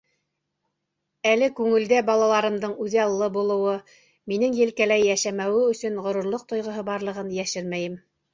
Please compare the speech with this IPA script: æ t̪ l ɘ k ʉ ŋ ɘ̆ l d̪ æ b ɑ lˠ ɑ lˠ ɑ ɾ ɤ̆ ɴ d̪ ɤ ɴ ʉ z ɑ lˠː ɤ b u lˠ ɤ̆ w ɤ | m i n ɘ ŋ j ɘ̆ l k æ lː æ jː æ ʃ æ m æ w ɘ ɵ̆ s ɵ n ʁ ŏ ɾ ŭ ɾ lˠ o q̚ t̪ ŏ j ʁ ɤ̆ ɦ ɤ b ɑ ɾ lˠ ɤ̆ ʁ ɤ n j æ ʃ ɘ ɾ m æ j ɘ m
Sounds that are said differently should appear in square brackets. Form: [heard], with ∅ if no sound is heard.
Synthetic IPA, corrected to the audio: æ [∅] l ɘ k ʉ ŋ ɘ̆ l d̪ æ b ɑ lˠ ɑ lˠ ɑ ɾ ɤ̆ [m] d̪ ɤ ɴ ʉ [ð] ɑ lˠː ɤ b u lˠ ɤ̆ w ɤ | m i n ɘ ŋ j ɘ̆ l k æ [l] æ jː æ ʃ æ m æ w ɘ ɵ̆ s ɵ n ʁ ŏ ɾ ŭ ɾ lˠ o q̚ t̪ ŏ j ʁ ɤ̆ ɦ ɤ b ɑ ɾ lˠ ɤ̆ ʁ ɤ n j æ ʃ ɘ ɾ m æ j ɘ m